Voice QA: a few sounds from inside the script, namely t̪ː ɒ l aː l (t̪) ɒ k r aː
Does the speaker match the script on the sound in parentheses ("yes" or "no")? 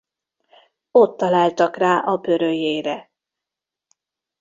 yes